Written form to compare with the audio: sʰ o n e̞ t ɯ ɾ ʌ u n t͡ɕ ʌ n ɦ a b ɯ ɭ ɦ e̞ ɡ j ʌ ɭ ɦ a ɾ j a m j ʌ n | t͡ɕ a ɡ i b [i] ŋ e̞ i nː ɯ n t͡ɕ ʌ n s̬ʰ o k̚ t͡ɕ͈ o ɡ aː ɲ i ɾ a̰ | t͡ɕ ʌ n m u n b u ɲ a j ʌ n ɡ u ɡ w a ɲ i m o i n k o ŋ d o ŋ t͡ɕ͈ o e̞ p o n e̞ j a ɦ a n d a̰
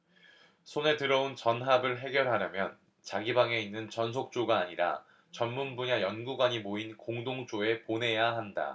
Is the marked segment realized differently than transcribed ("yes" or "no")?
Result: yes